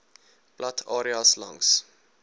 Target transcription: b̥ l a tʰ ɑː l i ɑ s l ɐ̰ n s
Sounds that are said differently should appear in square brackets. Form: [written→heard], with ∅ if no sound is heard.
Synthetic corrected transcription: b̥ l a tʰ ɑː [l→ɾ] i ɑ s l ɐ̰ [n→ŋ] s

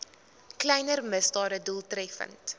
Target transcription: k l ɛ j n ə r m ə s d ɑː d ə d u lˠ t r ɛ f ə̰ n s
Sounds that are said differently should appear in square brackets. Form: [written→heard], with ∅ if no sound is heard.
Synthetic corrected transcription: k l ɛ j n ə r m ə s d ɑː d ə d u lˠ t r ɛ f ə̰ n [s→t]

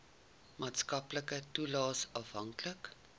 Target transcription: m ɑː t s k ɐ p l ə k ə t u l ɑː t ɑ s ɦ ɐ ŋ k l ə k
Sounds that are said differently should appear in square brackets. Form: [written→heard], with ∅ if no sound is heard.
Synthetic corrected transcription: m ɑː t s k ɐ p l ə k ə t u l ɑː [t→s] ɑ [s→f] ɦ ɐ ŋ k l ə k

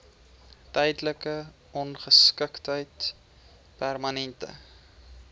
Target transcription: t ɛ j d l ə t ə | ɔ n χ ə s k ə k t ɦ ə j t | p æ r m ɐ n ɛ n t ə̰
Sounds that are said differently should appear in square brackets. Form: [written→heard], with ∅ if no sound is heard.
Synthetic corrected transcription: t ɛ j d l ə [t→k] ə | ɔ n χ ə s k ə k t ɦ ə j t | p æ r m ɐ n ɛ n t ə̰

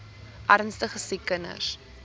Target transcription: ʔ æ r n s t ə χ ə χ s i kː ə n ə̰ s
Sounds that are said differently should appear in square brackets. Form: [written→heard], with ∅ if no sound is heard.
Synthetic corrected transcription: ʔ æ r n s t ə χ ə [χ→∅] s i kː ə n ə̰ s

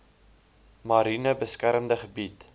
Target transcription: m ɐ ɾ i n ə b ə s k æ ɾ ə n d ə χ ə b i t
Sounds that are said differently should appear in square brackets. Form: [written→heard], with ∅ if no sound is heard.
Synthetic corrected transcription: m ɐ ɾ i n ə b ə s k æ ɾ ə [n→m] d ə χ ə b i t

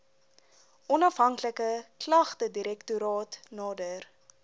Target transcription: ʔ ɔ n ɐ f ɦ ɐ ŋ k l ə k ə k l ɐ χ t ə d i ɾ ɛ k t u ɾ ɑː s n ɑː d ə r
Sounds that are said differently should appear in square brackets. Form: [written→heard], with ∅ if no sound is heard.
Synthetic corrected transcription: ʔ ɔ n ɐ f ɦ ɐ ŋ k l ə k ə k l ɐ χ t ə d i ɾ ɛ k t u ɾ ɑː [s→t] n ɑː d ə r

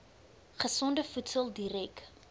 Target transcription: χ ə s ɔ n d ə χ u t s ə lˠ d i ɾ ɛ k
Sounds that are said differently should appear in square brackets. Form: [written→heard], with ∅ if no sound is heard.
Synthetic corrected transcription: χ ə s ɔ n d ə [χ→f] u t s ə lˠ d i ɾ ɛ k

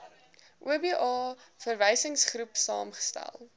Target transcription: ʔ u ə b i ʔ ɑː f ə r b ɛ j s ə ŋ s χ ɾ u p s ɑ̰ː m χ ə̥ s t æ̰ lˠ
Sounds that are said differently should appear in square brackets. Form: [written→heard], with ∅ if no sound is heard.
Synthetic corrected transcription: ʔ u ə b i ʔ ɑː f ə r [b→v] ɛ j s ə ŋ s χ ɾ u p s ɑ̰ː m χ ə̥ s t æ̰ lˠ

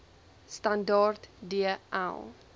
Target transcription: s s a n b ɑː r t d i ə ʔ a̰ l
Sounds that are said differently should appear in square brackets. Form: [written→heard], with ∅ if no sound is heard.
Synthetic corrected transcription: s [s→t] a n [b→d] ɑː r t d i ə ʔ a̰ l

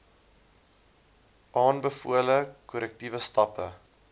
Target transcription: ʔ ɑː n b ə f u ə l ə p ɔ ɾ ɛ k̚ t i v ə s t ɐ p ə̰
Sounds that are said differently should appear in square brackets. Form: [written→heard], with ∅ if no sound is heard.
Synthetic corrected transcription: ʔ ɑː n b ə f u ə l ə [p→k] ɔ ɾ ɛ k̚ t i v ə s t ɐ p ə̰

